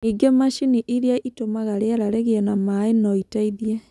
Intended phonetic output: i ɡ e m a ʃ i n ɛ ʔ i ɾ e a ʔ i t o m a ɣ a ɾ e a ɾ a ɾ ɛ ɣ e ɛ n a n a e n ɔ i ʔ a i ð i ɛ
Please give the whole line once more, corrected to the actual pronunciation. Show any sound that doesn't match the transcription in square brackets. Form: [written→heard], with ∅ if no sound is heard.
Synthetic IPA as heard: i ɡ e m a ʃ i n [ɛ→i] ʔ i ɾ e a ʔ i t o m a ɣ a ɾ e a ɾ a ɾ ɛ ɣ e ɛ n a [n→m] a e n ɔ i [ʔ→t] a i ð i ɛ